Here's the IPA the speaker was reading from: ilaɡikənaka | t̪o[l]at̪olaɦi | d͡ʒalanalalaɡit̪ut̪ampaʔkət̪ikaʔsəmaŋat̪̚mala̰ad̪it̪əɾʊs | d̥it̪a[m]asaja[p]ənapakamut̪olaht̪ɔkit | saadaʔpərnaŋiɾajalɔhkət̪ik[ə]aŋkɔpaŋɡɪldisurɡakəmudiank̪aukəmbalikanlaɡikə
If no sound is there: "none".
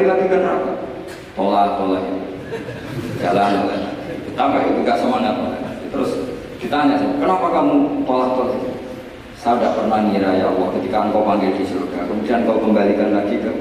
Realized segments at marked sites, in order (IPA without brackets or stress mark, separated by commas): l, ɲ, k, a